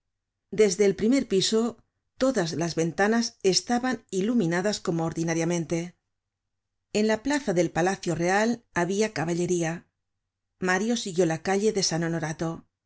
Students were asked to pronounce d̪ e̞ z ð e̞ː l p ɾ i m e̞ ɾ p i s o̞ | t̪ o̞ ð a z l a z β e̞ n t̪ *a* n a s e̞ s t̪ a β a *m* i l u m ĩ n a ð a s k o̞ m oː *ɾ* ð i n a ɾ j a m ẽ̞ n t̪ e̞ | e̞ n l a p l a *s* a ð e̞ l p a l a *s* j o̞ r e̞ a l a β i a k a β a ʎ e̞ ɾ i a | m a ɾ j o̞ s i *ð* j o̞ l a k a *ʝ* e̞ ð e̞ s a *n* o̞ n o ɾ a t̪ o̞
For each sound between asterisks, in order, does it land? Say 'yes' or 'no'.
yes, no, yes, no, no, no, no, yes

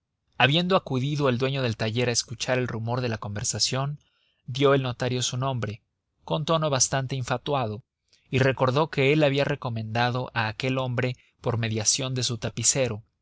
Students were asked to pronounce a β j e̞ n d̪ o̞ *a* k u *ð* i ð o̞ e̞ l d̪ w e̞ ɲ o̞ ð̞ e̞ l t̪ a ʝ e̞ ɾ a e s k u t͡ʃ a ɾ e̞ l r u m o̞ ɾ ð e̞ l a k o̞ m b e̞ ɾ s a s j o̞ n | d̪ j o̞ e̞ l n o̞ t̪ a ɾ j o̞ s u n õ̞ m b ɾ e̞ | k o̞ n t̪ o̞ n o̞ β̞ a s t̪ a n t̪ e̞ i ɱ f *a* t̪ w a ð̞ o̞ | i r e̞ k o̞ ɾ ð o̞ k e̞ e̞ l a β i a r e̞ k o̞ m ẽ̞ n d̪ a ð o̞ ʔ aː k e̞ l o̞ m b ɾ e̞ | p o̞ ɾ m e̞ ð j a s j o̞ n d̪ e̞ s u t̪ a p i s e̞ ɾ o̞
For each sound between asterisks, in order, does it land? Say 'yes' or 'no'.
yes, yes, yes

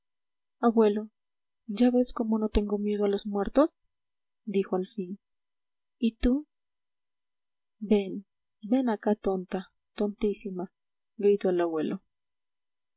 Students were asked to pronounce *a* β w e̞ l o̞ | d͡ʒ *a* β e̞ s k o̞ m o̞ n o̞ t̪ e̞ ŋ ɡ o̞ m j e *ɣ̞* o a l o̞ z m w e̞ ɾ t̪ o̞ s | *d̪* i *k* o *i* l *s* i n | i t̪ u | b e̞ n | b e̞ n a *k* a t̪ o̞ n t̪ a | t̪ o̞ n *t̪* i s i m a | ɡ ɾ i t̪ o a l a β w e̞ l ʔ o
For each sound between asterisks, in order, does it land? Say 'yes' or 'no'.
yes, yes, no, yes, no, no, no, yes, yes

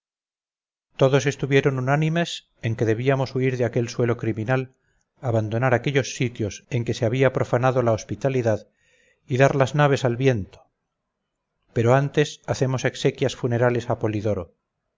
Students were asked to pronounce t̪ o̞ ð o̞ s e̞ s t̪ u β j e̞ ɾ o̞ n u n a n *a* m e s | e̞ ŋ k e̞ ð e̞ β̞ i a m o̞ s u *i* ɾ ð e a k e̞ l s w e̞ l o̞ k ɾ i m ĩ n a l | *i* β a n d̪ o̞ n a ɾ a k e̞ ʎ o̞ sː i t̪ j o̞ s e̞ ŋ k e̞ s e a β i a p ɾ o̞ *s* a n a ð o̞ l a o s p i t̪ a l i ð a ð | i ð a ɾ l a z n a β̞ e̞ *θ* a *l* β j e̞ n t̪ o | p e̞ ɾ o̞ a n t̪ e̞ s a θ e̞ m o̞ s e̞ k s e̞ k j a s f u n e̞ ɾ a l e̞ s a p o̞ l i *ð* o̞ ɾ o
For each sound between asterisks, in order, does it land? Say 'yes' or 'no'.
no, yes, no, no, no, yes, yes

